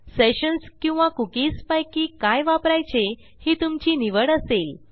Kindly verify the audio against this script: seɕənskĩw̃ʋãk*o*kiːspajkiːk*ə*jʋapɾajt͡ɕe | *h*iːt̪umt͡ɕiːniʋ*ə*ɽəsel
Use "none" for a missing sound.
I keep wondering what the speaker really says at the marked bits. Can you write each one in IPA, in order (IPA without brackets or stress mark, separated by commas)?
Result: u, a, h, ə